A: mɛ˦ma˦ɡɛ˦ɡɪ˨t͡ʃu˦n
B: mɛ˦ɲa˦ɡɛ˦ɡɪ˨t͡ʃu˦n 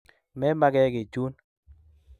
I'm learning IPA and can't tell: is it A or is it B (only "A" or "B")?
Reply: A